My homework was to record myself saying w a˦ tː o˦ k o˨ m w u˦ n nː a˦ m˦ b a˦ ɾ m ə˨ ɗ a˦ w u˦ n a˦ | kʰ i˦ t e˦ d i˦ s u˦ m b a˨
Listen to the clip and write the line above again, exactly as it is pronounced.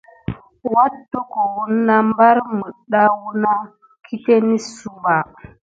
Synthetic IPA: w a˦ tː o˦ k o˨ w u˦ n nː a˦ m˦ b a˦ ɾ m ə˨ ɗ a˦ w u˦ n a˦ | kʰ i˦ t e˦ n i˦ s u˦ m b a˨